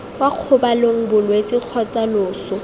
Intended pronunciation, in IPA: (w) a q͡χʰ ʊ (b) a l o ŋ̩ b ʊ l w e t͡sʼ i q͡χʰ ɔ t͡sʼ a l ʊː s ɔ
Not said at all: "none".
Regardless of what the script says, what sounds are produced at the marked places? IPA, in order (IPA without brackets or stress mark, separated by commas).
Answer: w, b